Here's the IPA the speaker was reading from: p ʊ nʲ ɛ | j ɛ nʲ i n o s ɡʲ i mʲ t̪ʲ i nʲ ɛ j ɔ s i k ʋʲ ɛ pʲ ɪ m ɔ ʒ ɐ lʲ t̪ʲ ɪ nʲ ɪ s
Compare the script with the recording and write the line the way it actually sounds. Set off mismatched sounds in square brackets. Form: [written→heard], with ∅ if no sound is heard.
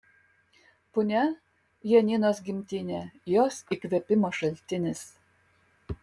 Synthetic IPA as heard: p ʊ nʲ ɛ | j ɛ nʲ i n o s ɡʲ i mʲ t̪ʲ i nʲ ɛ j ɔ s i k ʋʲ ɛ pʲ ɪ m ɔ [ʒ→ʃ] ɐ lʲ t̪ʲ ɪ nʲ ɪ s